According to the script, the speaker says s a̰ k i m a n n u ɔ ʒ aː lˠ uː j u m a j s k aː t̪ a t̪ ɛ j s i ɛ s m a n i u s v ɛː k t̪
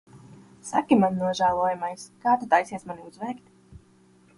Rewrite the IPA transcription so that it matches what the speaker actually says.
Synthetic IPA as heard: s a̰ k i m a n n u ɔ ʒ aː lˠ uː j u m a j s k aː t̪ a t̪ a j s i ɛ s m a n i u z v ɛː k t̪